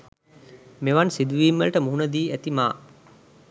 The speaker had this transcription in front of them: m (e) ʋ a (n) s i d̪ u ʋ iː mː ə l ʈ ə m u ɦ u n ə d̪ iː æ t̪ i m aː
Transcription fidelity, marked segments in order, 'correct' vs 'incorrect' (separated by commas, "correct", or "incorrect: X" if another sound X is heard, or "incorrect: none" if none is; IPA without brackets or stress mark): correct, correct